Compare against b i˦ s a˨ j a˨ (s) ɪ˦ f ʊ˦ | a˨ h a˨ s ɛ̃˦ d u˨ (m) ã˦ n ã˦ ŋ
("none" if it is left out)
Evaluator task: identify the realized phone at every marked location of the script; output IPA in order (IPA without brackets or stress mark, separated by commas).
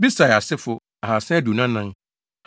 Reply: s, n